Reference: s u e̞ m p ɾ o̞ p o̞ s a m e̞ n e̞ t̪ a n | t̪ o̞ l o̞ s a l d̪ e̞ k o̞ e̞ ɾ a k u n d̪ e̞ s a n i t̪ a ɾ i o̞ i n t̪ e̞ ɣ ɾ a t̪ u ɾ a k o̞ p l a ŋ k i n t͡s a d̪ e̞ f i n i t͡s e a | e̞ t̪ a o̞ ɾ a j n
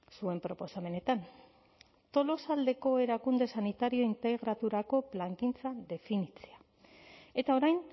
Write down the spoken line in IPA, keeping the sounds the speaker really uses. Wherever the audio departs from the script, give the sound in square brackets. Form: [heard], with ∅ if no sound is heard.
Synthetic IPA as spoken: s u e̞ m p ɾ o̞ p o̞ s a m e̞ n e̞ t̪ a n | t̪ o̞ l o̞ s a l d̪ e̞ k o̞ e̞ ɾ a k u n d̪ e̞ s a n i t̪ a ɾ i o̞ i n t̪ e̞ ɣ ɾ a t̪ u ɾ a k o̞ p l a ŋ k i n t͡s a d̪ e̞ f i n i t͡s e a | e̞ t̪ a o̞ ɾ a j n